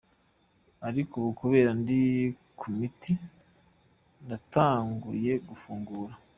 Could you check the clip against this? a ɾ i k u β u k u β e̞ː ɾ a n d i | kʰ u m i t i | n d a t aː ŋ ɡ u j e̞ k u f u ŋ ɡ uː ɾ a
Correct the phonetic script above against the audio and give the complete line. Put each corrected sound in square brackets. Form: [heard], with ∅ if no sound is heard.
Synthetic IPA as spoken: a ɾ i k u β u k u β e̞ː ɾ a n d i | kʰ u m i t i | n d a t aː ŋ ɡ u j e̞ [ɡ] u f [uː] ŋ ɡ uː ɾ a